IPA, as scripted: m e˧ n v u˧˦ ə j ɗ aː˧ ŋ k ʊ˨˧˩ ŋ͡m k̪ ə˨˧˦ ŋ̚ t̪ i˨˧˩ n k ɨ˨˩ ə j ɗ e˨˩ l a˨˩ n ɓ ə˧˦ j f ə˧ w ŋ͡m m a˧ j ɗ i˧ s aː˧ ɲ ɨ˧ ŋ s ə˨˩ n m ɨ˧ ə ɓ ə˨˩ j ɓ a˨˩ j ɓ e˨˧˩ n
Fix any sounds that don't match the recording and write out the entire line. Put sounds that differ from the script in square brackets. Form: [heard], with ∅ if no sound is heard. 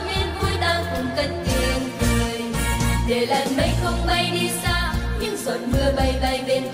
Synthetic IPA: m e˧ n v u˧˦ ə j ɗ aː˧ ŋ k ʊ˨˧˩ ŋ͡m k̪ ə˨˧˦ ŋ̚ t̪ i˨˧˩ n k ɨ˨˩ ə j ɗ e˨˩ l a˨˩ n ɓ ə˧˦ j [x] ə˧ w ŋ͡m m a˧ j ɗ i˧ s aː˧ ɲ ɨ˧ ŋ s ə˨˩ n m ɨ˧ ə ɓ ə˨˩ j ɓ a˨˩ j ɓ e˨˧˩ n